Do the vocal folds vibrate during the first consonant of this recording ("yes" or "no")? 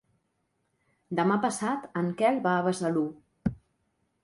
yes